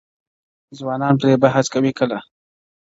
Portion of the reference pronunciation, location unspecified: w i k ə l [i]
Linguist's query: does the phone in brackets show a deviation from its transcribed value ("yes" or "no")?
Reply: yes